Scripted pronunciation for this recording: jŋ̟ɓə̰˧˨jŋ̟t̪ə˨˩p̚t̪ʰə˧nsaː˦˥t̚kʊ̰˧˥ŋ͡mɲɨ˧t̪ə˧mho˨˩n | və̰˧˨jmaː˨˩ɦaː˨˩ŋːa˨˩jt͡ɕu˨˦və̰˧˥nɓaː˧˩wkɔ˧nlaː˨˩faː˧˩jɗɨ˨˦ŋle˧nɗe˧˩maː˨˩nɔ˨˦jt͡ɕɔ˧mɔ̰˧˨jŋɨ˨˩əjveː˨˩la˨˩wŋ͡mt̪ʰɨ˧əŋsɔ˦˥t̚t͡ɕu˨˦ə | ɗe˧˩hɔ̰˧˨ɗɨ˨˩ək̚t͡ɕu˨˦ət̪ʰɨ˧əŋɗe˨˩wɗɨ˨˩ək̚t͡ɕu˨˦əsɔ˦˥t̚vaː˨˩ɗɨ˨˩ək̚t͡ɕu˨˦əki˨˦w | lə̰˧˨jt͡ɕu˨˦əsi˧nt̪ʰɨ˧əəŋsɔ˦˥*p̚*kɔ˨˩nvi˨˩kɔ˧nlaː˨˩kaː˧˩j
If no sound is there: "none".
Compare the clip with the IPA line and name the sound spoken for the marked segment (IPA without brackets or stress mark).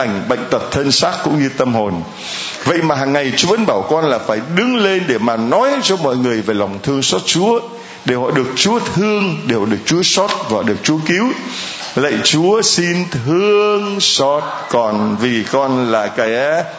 t̚